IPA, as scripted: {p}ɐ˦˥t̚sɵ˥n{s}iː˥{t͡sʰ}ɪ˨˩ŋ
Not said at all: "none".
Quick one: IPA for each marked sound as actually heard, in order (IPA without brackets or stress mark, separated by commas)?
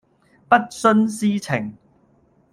p, s, t͡sʰ